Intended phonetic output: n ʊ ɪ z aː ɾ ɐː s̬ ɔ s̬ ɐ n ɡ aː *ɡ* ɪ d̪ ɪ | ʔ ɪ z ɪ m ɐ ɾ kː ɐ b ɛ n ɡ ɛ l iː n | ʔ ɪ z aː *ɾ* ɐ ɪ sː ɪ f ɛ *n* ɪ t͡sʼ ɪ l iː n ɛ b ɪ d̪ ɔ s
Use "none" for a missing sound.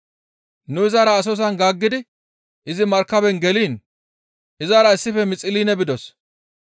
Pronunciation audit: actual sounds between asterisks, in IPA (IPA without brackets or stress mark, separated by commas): ɡː, ɾ, m